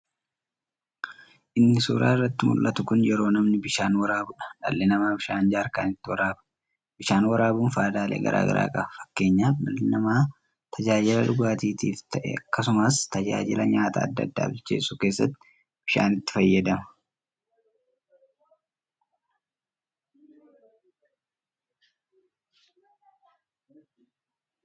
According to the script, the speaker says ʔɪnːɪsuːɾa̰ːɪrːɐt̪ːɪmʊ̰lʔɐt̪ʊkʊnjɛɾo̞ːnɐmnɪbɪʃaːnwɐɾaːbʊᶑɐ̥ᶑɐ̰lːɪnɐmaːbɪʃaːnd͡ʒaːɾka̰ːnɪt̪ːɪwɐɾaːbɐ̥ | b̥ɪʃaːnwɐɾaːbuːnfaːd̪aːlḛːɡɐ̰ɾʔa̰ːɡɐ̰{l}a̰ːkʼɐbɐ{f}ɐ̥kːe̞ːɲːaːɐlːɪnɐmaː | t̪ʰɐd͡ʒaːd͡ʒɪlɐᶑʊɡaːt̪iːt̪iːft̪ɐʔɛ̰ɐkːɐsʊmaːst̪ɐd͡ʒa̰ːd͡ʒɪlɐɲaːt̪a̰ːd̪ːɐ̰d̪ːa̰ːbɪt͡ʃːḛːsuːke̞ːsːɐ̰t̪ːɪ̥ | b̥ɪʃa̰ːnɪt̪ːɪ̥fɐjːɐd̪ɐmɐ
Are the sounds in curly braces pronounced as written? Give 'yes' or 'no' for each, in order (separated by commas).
no, yes